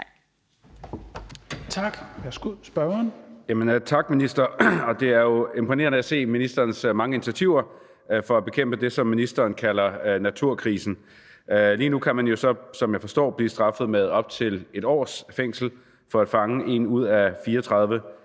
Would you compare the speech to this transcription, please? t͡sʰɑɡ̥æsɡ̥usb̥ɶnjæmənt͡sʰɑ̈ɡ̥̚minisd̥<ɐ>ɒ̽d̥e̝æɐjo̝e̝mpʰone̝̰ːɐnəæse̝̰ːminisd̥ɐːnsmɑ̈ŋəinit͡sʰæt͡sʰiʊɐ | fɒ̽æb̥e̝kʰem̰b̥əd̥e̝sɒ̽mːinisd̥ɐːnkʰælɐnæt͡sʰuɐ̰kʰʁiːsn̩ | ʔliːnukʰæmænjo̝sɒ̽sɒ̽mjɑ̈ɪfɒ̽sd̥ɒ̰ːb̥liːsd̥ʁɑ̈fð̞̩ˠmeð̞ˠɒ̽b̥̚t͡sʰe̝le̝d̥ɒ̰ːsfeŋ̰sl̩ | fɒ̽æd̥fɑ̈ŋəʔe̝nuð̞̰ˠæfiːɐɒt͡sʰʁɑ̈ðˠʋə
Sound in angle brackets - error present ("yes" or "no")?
no